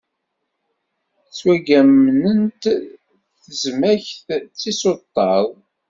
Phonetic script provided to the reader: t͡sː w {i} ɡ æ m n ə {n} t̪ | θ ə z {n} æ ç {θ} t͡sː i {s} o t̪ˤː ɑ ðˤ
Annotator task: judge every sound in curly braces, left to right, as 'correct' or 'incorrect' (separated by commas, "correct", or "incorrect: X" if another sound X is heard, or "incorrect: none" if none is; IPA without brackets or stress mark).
incorrect: æ, correct, incorrect: m, correct, correct